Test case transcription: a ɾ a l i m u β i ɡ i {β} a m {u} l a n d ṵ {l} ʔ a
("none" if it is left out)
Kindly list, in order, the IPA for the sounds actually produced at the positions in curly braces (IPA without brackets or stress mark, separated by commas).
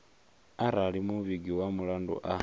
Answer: w, u, none